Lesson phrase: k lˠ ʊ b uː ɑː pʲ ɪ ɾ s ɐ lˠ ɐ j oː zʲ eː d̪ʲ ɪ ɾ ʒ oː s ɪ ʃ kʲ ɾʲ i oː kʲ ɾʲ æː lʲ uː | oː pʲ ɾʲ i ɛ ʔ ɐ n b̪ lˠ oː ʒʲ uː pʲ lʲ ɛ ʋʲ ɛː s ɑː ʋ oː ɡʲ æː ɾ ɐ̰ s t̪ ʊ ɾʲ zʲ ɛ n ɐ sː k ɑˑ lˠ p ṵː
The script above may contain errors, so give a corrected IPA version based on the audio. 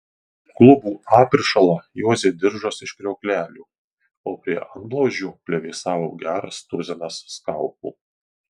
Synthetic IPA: k lˠ ʊ b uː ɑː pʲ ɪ ɾ ʃ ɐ lˠ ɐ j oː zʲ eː d̪ʲ ɪ ɾ ʒ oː s ɪ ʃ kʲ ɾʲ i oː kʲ lʲ æː lʲ uː | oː pʲ ɾʲ i ɛ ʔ ɐ n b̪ lˠ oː ʒʲ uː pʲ lʲ ɛ ʋʲ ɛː s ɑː ʋ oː ɡʲ æː ɾ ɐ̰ s t̪ ʊ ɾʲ zʲ ɛ n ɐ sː k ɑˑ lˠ p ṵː